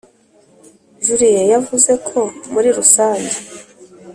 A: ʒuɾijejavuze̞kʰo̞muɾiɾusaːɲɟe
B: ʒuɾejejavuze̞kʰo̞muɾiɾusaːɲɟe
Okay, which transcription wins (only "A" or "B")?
A